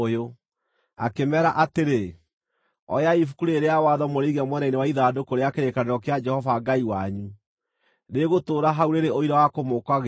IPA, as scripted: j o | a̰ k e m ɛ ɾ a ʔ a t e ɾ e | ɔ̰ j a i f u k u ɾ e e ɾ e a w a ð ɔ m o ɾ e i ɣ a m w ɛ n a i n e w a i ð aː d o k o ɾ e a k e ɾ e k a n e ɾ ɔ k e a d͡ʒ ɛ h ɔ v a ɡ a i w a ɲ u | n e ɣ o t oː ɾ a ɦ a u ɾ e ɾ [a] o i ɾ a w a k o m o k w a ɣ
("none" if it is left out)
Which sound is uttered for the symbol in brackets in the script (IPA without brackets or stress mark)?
e